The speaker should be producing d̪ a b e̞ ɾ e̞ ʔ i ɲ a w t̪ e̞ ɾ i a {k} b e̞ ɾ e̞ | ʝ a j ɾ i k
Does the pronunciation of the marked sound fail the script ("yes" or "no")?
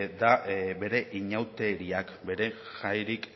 no